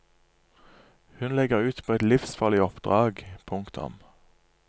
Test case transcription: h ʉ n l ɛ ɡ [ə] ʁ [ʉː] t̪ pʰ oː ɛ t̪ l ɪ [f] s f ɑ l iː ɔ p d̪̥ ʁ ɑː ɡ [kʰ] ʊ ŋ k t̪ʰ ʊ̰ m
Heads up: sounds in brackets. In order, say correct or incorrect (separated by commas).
correct, correct, correct, incorrect